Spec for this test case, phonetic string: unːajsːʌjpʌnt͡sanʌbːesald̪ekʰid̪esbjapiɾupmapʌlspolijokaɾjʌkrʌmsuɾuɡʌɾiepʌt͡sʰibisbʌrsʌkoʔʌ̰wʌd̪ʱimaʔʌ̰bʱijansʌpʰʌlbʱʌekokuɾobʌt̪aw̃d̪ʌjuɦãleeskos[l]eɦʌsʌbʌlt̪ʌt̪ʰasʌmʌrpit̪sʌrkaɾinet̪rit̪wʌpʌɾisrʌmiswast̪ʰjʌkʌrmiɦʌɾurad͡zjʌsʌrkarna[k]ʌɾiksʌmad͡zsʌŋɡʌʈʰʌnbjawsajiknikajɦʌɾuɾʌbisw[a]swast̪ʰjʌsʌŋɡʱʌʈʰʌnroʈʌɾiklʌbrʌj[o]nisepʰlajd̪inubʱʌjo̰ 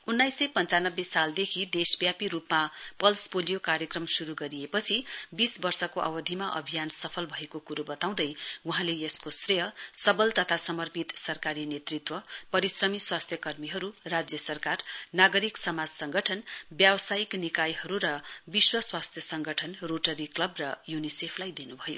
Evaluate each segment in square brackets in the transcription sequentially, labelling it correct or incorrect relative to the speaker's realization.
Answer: incorrect: r, incorrect: ɡ, incorrect: ʌ, incorrect: u

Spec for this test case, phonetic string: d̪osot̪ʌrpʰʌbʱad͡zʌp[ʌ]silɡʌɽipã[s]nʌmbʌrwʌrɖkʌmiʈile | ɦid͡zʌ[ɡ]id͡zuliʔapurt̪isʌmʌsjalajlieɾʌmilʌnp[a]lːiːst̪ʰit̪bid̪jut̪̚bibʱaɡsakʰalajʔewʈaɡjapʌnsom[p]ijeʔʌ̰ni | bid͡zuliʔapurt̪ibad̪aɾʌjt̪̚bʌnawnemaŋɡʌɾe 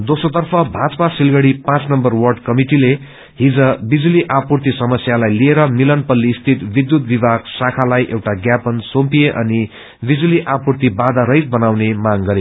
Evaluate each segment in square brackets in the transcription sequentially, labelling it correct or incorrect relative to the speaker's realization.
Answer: incorrect: a, incorrect: t͡s, incorrect: b, incorrect: ʌ, correct

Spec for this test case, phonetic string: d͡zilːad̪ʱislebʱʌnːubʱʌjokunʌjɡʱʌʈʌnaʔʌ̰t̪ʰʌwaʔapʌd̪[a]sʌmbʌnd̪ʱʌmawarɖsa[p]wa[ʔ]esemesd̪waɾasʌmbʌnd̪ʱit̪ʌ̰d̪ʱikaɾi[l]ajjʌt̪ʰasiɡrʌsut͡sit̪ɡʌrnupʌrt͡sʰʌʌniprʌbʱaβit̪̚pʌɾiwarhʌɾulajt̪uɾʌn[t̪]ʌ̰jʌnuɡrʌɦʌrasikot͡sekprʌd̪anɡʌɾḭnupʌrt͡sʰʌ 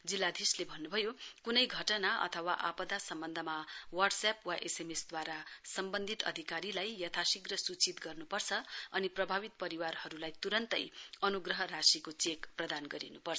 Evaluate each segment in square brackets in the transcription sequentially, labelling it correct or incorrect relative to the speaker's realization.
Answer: correct, correct, correct, correct, correct

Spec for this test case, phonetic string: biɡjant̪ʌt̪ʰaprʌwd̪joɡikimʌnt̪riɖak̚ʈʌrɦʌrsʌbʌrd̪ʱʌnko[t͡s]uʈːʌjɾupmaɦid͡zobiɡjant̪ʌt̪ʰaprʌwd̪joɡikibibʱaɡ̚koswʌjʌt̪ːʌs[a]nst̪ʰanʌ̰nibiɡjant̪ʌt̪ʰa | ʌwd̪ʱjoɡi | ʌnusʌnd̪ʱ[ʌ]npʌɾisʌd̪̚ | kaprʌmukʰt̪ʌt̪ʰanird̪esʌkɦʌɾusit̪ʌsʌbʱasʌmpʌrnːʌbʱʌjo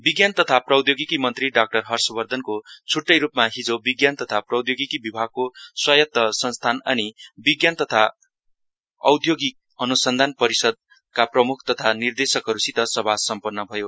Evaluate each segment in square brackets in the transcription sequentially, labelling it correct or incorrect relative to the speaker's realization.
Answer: incorrect: t͡sʰ, incorrect: ʌ, incorrect: a

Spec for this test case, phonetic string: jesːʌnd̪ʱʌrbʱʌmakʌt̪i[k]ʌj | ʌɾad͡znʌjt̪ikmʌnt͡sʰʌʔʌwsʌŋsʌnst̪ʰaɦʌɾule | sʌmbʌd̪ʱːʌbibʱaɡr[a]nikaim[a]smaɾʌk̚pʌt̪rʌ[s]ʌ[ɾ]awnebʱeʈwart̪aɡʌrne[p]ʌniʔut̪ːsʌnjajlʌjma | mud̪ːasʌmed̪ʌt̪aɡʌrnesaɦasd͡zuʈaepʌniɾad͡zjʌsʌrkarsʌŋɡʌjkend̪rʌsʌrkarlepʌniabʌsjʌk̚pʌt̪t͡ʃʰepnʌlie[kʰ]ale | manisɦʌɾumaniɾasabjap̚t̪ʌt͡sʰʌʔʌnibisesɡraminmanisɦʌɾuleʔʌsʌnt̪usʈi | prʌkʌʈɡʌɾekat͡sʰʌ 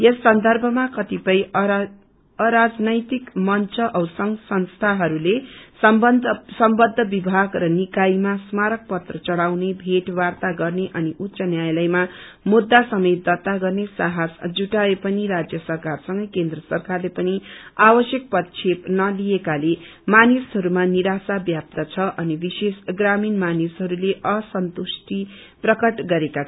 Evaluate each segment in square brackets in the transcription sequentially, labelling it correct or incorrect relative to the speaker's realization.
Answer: incorrect: p, incorrect: ʌ, correct, incorrect: t͡s, incorrect: ɽ, incorrect: ʔ, incorrect: k

